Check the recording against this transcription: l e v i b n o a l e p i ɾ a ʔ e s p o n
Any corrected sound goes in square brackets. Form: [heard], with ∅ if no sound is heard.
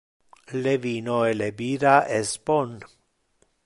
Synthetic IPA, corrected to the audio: l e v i [∅] n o [e] l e [b] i ɾ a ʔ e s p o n